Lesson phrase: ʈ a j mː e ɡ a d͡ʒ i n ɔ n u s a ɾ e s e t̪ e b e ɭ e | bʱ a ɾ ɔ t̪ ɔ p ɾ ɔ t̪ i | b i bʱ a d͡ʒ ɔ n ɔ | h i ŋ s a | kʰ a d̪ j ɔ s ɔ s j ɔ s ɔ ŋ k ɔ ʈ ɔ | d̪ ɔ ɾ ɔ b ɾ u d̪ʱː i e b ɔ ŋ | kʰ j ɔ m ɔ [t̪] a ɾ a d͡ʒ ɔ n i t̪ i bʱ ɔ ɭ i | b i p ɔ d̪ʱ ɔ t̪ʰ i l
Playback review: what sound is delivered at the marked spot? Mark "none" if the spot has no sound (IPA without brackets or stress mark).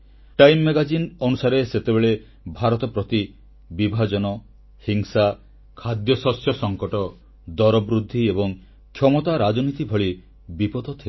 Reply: t̪